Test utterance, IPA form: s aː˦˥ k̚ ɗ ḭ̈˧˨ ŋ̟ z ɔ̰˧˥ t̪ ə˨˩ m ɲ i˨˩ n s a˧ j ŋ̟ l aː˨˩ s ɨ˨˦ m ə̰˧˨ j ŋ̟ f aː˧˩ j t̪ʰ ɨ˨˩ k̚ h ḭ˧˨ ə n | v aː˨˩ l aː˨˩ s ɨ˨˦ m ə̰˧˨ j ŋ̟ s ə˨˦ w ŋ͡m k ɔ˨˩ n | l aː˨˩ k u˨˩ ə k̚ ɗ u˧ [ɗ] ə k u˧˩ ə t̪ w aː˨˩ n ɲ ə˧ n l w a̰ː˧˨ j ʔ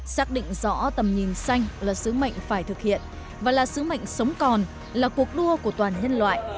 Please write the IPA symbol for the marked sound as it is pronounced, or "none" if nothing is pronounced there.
none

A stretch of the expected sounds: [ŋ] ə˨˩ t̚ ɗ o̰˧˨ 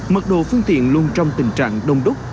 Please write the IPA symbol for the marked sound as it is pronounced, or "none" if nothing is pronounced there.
m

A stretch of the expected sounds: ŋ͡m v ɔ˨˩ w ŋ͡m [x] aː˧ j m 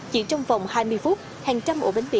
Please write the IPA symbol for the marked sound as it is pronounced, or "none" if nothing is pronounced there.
h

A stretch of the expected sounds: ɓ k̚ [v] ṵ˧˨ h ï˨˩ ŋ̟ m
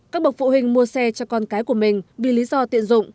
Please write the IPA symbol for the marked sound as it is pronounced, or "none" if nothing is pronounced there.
f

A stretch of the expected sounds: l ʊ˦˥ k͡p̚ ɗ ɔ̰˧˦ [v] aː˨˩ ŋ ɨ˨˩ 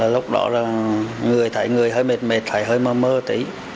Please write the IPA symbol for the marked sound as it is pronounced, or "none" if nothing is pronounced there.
z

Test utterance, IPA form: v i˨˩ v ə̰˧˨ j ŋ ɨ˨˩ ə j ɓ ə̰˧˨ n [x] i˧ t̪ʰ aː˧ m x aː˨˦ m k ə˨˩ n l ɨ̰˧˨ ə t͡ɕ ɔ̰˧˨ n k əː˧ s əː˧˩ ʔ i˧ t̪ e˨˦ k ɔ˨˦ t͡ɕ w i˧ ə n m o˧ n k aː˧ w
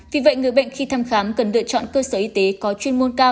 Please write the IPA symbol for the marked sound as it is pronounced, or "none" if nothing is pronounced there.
x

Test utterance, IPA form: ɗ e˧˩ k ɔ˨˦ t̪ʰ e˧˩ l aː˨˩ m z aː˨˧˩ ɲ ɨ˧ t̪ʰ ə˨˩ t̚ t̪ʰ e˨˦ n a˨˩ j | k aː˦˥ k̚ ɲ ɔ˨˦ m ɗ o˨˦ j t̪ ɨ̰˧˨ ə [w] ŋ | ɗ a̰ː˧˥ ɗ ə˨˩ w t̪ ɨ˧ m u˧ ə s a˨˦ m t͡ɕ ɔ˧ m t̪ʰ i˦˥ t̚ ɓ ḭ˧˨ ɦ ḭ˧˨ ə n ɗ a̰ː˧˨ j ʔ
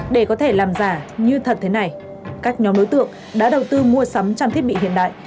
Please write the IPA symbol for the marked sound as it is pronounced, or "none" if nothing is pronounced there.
none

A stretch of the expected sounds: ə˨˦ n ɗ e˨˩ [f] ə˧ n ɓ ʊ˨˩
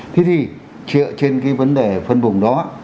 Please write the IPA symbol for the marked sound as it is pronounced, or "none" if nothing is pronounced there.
f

